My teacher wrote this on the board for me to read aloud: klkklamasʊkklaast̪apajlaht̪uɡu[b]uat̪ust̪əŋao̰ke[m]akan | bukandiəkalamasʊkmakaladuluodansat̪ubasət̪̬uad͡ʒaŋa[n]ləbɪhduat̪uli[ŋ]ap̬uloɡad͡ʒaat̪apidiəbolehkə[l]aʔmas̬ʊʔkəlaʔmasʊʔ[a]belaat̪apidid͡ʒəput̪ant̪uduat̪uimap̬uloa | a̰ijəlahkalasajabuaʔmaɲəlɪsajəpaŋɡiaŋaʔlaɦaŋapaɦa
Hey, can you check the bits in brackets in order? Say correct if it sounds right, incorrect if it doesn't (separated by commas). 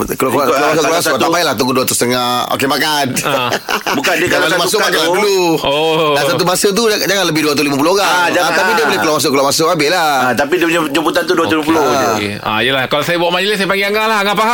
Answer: incorrect, correct, correct, incorrect, correct, correct